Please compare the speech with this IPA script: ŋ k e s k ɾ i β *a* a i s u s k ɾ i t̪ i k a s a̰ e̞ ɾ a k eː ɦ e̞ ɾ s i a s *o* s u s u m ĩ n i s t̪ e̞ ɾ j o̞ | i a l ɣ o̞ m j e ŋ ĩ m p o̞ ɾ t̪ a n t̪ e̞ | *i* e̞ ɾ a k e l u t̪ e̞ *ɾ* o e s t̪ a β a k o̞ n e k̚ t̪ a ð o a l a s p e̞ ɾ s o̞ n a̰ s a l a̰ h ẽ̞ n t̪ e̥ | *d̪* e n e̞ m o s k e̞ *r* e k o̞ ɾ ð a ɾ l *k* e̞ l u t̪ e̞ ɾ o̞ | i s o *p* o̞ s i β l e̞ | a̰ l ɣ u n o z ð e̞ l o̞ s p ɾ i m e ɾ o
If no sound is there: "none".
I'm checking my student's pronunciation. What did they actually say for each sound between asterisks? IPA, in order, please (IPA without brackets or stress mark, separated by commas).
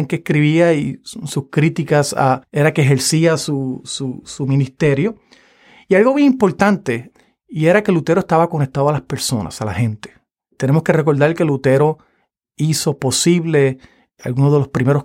i, u, i, ɾ, t̪, r, k, p